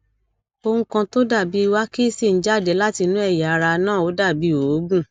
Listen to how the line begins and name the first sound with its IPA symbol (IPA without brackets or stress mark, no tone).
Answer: o